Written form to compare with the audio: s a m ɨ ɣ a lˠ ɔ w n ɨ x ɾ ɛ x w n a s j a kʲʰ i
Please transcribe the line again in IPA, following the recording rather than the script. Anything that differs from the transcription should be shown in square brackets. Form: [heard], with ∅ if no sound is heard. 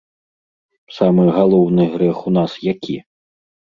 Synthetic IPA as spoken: s a m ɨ ɣ a lˠ ɔ w n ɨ [ɣ] ɾ ɛ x [u] n a s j a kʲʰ i